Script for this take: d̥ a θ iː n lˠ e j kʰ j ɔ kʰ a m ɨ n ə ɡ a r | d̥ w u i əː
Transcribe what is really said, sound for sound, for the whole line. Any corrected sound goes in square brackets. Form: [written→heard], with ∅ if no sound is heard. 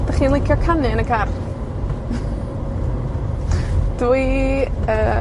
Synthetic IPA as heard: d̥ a [θ→χ] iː n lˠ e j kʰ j ɔ kʰ a [m→n] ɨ n ə ɡ a r | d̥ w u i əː